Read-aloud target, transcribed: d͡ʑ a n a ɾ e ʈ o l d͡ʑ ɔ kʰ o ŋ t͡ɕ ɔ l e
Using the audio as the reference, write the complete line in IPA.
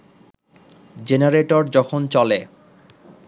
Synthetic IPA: d͡ʑ e n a ɾ e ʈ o ɾ d͡ʑ ɔ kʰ o n t͡ɕ ɔ l e